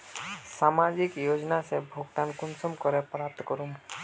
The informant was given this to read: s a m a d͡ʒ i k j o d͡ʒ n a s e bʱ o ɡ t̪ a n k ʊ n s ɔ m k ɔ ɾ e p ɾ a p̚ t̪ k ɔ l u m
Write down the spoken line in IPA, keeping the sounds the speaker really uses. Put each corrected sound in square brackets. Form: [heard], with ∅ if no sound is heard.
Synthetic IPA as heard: s a m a d͡ʒ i k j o d͡ʒ n a s e bʱ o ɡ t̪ a n k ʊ n s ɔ m k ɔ ɾ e p ɾ a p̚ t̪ k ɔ [ɾ] u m